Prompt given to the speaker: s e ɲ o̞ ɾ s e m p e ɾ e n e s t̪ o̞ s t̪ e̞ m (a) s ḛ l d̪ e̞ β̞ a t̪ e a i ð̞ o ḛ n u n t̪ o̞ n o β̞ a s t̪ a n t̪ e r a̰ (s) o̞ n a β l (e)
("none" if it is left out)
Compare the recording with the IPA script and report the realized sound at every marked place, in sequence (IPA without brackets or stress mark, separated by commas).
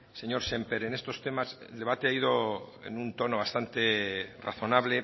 a, θ, e